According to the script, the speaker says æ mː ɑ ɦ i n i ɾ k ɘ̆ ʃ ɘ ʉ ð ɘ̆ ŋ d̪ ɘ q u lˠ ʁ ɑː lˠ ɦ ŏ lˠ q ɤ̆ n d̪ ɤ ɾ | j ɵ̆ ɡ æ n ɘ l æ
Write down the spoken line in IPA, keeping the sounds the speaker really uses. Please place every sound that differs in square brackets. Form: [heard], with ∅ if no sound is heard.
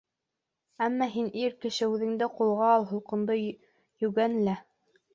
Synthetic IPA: æ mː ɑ ɦ i n i ɾ k ɘ̆ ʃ ɘ ʉ ð ɘ̆ ŋ d̪ ɘ q u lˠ ʁ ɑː lˠ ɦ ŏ lˠ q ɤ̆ n d̪ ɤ [∅] | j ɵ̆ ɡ æ n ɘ l æ